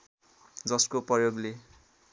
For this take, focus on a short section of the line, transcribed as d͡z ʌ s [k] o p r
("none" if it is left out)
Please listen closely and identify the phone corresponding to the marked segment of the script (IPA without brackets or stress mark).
k